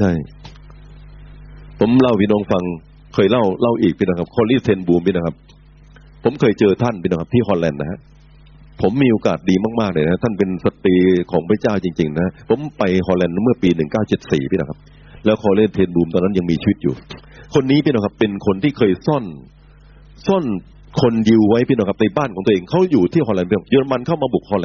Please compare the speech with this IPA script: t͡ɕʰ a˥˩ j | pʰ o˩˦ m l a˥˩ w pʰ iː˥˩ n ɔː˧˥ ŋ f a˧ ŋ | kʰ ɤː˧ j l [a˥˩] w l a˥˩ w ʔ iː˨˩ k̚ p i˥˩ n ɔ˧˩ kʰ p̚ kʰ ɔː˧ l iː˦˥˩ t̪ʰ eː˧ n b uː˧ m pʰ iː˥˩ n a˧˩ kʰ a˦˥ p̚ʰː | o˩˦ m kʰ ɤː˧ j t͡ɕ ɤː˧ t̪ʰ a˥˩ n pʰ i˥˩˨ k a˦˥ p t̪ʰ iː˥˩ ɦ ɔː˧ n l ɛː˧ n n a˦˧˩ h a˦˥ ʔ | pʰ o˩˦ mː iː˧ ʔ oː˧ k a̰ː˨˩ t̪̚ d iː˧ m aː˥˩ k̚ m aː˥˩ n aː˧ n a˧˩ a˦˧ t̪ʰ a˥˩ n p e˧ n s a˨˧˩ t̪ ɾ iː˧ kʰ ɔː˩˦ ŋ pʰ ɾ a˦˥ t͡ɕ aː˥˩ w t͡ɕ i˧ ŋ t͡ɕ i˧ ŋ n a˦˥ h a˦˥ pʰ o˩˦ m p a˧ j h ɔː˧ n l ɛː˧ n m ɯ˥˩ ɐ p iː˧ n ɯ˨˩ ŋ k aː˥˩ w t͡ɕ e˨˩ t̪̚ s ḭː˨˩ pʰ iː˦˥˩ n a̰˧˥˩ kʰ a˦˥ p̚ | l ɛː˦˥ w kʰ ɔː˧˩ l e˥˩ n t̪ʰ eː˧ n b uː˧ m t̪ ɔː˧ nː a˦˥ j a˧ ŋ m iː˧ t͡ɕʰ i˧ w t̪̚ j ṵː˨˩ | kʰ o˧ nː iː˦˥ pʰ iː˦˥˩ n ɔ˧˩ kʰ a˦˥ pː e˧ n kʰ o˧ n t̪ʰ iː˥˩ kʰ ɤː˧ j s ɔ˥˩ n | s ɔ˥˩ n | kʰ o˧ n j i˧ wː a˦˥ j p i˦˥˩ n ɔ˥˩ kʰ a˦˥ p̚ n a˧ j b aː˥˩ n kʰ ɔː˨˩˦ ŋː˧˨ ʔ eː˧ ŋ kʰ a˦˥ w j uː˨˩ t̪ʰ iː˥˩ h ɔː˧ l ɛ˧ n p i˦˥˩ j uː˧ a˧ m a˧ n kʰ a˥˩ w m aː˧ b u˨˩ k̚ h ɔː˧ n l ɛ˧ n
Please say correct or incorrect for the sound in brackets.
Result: correct